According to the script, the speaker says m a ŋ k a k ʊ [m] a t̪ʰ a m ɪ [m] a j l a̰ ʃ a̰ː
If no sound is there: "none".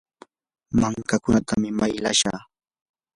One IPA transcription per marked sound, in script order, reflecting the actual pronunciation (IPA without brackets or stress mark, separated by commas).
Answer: n, m